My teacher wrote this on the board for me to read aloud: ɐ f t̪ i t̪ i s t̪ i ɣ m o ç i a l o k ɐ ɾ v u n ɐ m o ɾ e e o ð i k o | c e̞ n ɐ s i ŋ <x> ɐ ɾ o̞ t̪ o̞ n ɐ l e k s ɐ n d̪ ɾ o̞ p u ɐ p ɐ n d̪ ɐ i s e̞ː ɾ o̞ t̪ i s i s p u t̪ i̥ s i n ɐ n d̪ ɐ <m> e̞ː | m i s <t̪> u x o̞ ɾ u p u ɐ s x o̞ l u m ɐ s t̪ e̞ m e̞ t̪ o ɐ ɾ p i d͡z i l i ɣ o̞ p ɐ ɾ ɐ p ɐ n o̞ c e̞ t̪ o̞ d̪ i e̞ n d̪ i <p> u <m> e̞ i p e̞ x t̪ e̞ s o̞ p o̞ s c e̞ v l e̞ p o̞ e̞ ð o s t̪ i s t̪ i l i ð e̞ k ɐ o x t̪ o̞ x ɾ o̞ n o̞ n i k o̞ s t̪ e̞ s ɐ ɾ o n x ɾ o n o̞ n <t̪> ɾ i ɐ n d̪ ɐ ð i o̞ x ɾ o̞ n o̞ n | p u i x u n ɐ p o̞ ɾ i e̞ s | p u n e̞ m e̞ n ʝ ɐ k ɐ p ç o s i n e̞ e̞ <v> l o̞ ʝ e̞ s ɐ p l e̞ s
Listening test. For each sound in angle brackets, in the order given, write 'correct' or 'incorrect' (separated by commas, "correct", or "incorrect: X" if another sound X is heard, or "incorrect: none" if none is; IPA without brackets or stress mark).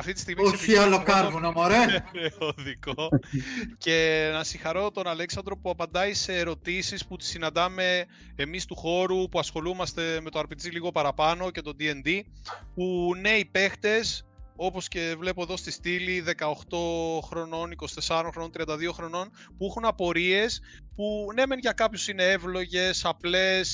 correct, correct, correct, correct, incorrect: n, correct, correct